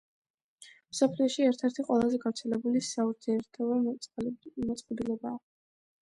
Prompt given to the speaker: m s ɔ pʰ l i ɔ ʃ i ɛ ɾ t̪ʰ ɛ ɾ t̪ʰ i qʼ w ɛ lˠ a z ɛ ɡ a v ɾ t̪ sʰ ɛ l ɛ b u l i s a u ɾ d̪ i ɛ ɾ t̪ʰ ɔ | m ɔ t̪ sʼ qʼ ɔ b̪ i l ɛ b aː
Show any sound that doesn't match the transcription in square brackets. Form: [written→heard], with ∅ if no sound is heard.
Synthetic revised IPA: m s ɔ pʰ l i ɔ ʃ i ɛ ɾ t̪ʰ ɛ ɾ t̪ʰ i qʼ w ɛ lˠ a z ɛ ɡ a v ɾ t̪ sʰ ɛ l ɛ b u l i s a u ɾ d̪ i ɛ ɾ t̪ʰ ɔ | m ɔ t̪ sʼ qʼ ɔ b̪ i l ɛ b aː